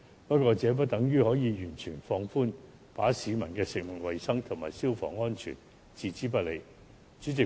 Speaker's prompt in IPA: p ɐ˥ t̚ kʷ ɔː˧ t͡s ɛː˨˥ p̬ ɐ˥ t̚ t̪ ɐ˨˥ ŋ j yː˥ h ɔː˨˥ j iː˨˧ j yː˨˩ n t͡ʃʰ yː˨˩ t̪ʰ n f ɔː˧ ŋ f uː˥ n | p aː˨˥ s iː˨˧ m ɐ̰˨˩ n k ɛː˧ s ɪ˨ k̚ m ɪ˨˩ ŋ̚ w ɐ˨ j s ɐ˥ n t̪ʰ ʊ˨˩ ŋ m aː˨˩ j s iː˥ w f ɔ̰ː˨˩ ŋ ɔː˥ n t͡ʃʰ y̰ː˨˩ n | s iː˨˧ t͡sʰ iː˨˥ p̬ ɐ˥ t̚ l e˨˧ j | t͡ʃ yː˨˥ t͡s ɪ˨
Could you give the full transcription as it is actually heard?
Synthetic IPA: p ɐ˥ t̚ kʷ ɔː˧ t͡s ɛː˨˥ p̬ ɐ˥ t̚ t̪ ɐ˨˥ ŋ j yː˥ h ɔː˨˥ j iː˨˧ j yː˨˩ n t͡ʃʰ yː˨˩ n f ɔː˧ ŋ f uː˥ n | p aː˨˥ s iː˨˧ m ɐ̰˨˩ n k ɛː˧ s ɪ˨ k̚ m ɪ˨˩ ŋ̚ w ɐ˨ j s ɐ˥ ŋ t̪ʰ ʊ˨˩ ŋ m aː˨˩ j s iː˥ w f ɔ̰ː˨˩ ŋ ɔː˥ n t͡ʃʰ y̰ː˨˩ n | t͡s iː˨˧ t͡s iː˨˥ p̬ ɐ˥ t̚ l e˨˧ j | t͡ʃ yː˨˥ t͡s ɪ˨